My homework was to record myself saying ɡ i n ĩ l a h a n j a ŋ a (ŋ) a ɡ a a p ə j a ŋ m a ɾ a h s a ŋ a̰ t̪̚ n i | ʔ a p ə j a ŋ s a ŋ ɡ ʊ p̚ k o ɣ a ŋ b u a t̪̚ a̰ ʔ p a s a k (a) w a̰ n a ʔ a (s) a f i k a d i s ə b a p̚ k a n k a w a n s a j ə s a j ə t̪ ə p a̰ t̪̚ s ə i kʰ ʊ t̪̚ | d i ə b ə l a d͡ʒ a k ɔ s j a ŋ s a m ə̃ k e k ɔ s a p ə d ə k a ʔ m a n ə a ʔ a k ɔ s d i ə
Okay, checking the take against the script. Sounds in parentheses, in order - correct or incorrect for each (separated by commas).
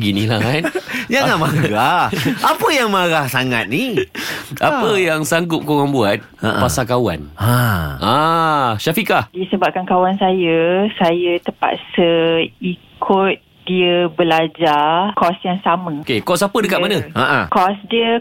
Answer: incorrect, correct, incorrect